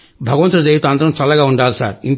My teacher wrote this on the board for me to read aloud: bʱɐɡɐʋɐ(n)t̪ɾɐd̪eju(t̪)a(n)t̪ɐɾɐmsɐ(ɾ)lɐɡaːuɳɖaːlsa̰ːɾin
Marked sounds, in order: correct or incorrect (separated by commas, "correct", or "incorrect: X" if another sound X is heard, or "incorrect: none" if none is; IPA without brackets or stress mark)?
correct, correct, correct, incorrect: none